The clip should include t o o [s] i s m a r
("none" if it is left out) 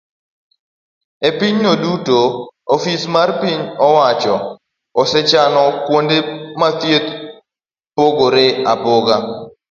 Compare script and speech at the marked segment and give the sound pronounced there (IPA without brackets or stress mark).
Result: f